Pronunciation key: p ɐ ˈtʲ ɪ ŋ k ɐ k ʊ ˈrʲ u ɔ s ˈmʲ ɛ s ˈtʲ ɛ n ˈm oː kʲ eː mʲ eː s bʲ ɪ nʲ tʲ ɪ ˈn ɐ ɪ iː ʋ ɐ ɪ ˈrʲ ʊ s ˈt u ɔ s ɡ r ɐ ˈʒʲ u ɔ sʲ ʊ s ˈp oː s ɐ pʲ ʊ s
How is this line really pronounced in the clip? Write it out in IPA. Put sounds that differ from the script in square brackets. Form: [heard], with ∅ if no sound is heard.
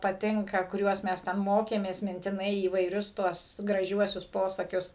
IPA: p ɐ ˈtʲ ɪ ŋ k ɐ k ʊ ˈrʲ u ɔ s ˈmʲ ɛ s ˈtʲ ɛ n ˈm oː kʲ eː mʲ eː s [mʲ] ɪ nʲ tʲ ɪ ˈn ɐ ɪ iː ʋ ɐ ɪ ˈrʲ ʊ s ˈt u ɔ s ɡ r ɐ ˈʒʲ u ɔ sʲ ʊ s ˈp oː s ɐ [kʲ] ʊ s